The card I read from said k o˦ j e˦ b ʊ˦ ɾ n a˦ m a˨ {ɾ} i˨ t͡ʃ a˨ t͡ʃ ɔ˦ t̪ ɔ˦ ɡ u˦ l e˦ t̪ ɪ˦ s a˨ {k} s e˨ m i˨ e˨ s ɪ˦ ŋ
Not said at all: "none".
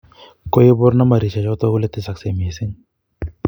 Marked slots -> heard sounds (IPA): ɾ, k

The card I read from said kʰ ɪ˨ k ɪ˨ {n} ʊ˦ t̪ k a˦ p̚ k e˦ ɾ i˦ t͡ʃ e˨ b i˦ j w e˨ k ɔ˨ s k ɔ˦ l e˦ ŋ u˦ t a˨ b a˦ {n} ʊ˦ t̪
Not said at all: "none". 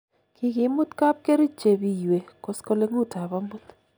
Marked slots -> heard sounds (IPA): m, m

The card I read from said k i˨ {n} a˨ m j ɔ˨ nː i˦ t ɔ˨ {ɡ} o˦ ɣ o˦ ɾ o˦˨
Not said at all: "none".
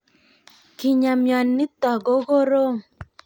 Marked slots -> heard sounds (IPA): ɲ, ɡ

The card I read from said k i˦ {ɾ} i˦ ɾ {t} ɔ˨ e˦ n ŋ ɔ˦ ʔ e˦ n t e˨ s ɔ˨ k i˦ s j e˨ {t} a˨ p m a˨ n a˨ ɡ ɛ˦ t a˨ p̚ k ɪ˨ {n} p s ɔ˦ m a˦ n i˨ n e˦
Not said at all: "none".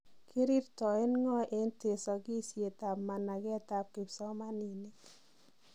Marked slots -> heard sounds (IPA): ɾ, t, t, none

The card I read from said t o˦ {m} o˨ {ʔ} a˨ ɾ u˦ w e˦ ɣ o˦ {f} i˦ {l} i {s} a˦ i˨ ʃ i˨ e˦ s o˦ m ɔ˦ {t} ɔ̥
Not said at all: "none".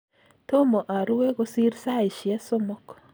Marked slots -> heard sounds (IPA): m, ʔ, s, ɾ, s, k

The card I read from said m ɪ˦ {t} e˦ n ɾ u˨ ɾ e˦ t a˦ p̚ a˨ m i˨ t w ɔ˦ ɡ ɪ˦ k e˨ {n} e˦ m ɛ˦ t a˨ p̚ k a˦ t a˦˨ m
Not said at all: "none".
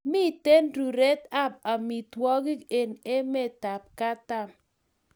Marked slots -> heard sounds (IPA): t, n

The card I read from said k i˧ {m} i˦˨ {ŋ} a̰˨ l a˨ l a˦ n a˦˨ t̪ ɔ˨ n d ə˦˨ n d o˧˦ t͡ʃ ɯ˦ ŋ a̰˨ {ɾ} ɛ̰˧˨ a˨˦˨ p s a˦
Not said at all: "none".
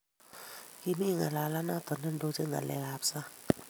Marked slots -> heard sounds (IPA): m, ŋ, l

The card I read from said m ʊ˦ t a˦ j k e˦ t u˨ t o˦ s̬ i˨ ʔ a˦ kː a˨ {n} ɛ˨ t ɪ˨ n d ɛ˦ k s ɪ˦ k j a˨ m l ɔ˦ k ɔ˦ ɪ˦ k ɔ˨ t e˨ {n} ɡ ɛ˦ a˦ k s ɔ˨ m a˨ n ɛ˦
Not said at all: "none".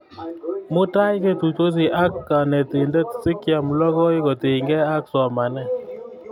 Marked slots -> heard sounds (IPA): n, ŋ

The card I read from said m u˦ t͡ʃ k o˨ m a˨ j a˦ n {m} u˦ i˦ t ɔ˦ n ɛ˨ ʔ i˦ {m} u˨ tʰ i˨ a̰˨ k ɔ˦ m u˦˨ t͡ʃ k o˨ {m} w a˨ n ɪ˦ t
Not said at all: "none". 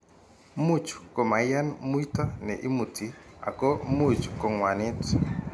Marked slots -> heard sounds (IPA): m, m, ŋ

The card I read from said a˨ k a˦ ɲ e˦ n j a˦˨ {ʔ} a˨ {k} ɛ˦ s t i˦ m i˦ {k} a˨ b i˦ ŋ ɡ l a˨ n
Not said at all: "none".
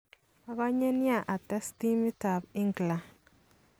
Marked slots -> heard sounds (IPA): ʔ, t, t

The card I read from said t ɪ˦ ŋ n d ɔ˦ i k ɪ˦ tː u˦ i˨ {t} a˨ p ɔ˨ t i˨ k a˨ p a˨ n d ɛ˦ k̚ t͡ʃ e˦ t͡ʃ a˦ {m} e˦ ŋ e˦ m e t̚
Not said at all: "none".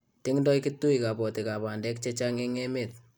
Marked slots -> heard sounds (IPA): k, ŋ

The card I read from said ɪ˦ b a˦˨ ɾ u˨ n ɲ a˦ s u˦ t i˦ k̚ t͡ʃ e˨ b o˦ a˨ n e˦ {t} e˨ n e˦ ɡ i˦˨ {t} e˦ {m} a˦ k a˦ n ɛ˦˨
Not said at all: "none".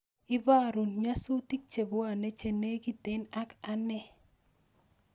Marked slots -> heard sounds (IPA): t͡ʃ, t, n

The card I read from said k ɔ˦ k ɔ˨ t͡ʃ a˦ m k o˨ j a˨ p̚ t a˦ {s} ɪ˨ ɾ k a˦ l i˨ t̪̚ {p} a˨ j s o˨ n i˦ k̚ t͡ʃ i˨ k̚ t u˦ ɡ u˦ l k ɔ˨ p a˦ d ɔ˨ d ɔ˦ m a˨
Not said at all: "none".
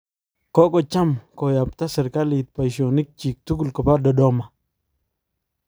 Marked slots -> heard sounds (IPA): s, p

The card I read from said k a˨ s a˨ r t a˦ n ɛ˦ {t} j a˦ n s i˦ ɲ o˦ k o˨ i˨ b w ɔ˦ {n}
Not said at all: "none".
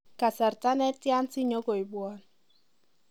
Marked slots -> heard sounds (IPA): t, n

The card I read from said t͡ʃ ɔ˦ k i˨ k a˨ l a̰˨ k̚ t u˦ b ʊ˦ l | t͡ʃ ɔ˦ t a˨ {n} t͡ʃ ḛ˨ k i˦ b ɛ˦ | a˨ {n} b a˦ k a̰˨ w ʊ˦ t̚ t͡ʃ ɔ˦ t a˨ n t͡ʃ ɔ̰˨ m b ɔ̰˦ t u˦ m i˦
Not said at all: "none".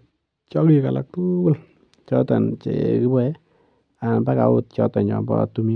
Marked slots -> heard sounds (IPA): n, n

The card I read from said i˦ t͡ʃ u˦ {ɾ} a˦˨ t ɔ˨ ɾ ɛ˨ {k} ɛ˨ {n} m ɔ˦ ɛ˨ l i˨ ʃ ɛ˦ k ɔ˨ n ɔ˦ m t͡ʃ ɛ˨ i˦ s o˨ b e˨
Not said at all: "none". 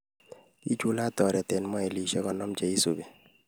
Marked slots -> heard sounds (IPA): l, t, n

